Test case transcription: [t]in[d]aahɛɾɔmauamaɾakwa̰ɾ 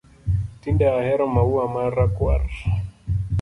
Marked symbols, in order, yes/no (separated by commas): yes, yes